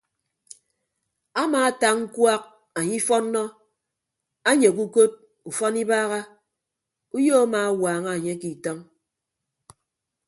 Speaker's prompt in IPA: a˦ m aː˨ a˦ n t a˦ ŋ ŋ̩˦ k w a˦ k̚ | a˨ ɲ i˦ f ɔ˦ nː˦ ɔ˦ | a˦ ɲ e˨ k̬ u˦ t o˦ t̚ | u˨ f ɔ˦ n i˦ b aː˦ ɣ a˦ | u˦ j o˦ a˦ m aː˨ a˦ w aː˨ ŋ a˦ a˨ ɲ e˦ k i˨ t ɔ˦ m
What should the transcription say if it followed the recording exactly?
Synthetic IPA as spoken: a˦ m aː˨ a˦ t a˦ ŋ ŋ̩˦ k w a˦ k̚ | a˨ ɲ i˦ f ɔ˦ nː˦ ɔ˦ | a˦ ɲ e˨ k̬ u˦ k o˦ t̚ | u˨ f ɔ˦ n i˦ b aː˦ ɣ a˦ | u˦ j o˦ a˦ m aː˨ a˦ w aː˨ ŋ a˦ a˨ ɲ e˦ k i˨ t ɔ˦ ŋ